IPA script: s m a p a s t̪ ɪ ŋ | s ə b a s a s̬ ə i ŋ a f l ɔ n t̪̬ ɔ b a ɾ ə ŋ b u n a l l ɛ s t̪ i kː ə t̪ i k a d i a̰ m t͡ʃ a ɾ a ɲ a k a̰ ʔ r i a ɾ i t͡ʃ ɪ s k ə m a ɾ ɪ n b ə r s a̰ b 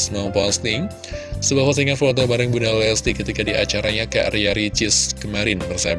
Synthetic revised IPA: s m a p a s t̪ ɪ ŋ | s ə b a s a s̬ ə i ŋ a f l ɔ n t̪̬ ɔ b a ɾ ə ŋ b u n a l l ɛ s t̪ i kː ə t̪ i k a d i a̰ t͡ʃ a ɾ a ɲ a k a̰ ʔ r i a ɾ i t͡ʃ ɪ s k ə m a ɾ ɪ n b ə r s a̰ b